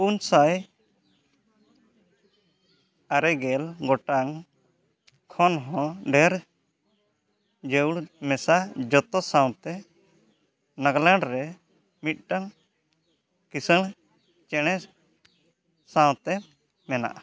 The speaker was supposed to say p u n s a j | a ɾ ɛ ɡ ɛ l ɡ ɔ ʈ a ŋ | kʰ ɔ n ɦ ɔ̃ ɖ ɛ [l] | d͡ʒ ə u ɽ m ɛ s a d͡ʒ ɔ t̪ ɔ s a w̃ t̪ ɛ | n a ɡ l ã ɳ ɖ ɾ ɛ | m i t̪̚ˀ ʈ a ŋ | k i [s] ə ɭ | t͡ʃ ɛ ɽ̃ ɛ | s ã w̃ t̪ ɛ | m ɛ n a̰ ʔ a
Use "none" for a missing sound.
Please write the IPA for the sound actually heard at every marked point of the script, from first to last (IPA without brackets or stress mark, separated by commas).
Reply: ɾ, s